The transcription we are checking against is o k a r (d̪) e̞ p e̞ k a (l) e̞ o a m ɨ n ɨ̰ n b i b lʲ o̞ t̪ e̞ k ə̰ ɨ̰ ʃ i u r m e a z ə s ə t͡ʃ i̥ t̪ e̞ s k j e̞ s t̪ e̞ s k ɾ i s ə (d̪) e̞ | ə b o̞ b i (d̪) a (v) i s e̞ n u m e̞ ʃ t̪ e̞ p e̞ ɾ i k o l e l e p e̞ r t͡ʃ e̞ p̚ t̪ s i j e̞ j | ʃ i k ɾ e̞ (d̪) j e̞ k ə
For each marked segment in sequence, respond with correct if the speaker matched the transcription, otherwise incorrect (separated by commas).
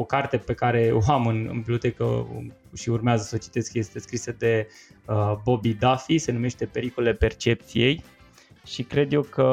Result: incorrect, incorrect, correct, correct, incorrect, correct